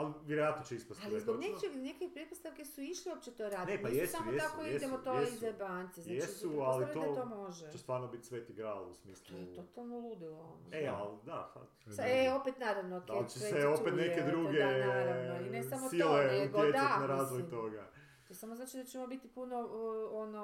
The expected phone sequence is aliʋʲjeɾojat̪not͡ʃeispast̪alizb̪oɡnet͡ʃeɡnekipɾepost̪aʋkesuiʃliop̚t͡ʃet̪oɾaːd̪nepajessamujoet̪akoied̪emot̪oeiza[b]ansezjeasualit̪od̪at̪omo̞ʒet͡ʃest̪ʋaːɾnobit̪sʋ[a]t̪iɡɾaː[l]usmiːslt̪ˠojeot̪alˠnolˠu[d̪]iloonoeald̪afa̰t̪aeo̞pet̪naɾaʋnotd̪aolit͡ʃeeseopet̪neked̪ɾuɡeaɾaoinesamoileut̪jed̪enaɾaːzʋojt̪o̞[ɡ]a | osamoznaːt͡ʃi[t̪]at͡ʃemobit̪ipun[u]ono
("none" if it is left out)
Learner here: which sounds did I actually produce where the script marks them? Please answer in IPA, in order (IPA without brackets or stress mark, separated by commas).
b, e, l, d̪, ɡ, d̪, o